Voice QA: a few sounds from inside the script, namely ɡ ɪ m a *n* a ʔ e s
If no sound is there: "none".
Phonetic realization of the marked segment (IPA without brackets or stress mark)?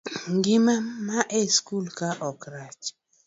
m